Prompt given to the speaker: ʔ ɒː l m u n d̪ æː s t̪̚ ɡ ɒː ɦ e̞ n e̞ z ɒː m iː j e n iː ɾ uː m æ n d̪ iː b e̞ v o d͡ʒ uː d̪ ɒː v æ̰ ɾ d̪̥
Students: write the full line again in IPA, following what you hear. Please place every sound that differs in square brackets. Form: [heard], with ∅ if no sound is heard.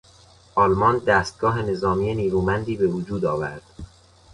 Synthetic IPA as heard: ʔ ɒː l m [ɒ] n d̪ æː s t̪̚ ɡ ɒː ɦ e̞ n e̞ z ɒː m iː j e n iː ɾ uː m æ n d̪ iː b e̞ v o d͡ʒ uː d̪ ɒː v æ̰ ɾ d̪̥